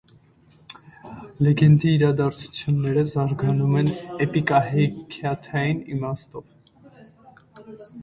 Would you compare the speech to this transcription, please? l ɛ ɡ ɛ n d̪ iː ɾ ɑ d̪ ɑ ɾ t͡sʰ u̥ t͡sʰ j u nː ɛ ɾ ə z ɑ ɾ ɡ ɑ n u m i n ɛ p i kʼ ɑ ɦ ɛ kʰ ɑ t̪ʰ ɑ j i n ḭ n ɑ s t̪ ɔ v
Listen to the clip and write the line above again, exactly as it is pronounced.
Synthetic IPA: l ɛ ɡ ɛ n d̪ iː ɾ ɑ d̪ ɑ ɾ t͡sʰ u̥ t͡sʰ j u nː ɛ ɾ ə z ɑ ɾ ɡ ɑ n u m ɛ n ɛ p i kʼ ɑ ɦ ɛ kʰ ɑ t̪ʰ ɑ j i n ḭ m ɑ s t̪ ɔ v